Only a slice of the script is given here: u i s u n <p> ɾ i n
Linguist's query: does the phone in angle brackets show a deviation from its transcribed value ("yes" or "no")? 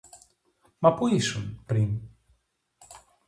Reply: no